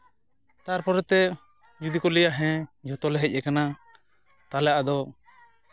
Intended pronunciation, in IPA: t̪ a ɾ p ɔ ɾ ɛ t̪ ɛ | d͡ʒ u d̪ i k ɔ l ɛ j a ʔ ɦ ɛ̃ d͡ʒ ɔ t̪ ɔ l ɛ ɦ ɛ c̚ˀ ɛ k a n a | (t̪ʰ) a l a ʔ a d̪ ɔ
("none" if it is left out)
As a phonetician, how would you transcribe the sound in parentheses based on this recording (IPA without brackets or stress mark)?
t̪